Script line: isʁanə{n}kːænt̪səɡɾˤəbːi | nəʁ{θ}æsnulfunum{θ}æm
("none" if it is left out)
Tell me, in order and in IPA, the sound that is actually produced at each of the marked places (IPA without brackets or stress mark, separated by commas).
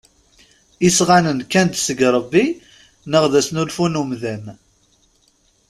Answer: n, ð, ð